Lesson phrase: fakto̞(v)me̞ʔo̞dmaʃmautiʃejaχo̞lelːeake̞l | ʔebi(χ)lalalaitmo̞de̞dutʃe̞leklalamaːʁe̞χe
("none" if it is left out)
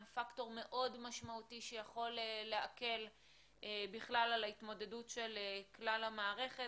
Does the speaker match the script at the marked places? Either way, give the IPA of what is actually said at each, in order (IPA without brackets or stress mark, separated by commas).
ʁ, χ